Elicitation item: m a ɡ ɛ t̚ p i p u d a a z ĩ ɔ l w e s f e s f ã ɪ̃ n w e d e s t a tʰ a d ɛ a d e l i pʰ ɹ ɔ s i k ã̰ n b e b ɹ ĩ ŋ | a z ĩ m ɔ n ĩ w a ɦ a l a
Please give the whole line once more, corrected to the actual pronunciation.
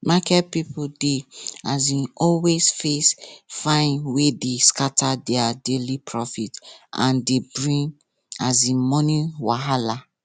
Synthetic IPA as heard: m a k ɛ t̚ p i p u d e a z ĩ ɔ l w e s f e s f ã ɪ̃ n w e d e s k a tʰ a d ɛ a d e l i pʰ ɹ ɔ f i t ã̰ n d e b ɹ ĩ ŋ | a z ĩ m ɔ n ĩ w a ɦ a l a

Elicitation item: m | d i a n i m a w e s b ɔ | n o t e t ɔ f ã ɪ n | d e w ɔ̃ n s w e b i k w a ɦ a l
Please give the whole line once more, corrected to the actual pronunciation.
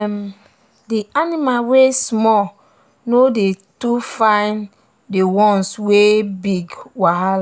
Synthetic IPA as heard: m | d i a n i m a w e s m ɔ | n o d e t u f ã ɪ n | d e w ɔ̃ n s w e b i ɡ w a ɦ a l

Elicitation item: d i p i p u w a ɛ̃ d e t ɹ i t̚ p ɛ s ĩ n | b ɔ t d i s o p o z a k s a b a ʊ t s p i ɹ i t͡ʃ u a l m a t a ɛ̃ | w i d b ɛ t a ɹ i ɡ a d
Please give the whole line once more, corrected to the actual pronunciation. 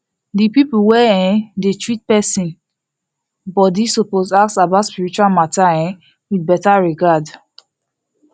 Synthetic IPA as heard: d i p i p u w ɛ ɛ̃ d e t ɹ i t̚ p ɛ s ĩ n | b ɔ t d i s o p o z a k s a b a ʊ t s p i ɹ i t͡ʃ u a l m a t a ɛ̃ | w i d b ɛ t a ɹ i ɡ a d

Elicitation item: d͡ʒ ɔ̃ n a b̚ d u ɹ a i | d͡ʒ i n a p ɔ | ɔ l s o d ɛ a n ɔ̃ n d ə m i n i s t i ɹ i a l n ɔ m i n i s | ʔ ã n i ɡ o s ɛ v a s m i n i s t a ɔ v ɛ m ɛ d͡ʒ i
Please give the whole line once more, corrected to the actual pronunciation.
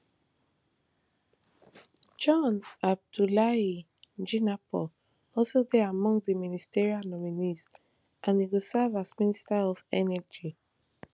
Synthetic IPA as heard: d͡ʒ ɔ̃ n a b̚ d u l a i | d͡ʒ i n a p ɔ | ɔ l s o d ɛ a m ɔ̃ ŋ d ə m i n i s t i ɹ i a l n ɔ m i n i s | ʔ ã n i ɡ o s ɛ v a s m i n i s t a ɔ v ɛ n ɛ d͡ʒ i

